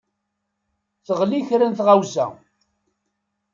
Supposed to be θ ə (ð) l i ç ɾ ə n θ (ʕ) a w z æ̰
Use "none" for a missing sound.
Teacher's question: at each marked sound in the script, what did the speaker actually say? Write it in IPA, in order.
ʁ, ʁ

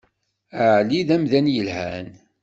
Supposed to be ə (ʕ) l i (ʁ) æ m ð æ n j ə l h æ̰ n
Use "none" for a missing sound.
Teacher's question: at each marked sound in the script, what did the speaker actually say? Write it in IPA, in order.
ʕ, ð

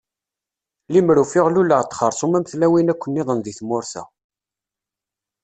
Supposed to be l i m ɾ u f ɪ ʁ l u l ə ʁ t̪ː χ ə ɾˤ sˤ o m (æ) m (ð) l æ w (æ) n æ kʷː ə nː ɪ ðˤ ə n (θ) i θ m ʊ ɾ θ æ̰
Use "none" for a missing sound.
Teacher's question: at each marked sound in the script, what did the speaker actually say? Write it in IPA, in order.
æ, θ, i, ð

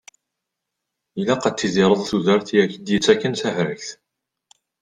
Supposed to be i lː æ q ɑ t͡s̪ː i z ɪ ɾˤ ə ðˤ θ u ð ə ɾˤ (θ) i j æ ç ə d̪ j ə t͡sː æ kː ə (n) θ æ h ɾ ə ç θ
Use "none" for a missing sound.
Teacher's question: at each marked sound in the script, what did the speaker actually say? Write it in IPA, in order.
θ, n

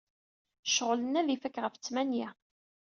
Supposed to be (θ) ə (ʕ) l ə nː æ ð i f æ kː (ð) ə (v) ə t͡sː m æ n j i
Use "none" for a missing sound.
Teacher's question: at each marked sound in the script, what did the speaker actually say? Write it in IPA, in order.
ʃ, ʁ, ʁ, f

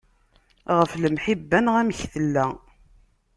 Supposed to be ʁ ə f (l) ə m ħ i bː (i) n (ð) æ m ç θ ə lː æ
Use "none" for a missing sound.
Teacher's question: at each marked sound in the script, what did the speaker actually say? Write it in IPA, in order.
l, æ, ʁ

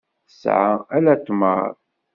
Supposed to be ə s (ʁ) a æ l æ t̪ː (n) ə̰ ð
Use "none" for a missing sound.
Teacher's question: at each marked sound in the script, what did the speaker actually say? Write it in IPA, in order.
ʕ, m

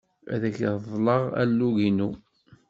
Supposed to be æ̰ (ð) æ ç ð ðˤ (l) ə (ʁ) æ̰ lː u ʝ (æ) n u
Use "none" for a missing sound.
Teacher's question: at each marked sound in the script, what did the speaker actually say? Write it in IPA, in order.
ð, l, ʁ, i

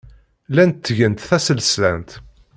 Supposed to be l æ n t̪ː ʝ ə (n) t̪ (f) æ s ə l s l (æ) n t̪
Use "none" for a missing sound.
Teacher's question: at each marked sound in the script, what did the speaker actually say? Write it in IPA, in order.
n, θ, æ

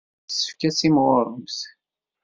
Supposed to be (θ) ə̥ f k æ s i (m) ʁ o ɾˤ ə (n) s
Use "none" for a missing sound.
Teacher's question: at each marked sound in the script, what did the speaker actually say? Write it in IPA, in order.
s, m, m

